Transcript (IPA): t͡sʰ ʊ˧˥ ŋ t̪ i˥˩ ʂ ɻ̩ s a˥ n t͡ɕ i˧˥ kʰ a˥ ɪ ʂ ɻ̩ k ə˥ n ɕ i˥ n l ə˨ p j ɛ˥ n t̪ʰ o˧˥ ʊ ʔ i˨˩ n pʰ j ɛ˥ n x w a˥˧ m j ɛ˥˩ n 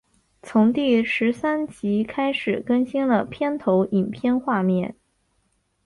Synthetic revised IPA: t͡sʰ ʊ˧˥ ŋ t̪ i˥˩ ʂ ɻ̩ s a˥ n t͡ɕ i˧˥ kʰ a˥ ɪ ʂ ɻ̩ k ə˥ n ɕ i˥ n l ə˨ pʰ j ɛ˥ n t̪ʰ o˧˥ ʊ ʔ i˨˩ n pʰ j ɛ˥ n x w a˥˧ m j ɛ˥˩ n